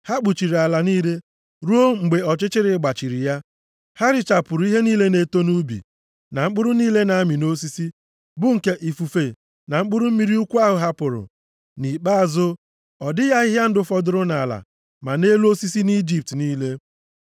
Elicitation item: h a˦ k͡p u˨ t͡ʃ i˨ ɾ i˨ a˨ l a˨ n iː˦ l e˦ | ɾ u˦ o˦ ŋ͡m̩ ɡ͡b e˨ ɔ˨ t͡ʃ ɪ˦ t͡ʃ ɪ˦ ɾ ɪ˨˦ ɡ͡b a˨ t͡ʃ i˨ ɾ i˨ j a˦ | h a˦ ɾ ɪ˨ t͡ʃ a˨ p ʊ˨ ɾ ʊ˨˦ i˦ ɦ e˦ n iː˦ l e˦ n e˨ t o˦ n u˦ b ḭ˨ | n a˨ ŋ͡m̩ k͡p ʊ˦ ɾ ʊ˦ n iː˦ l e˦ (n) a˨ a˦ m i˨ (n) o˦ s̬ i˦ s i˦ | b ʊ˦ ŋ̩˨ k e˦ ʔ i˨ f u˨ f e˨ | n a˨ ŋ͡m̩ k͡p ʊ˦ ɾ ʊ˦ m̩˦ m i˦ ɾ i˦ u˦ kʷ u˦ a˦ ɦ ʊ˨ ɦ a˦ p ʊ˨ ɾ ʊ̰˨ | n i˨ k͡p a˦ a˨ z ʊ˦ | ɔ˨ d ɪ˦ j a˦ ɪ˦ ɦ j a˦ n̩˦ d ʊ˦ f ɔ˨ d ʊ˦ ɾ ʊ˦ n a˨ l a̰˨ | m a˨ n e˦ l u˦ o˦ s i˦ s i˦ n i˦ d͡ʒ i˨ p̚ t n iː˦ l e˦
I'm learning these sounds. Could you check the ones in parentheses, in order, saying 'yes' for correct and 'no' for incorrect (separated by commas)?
yes, yes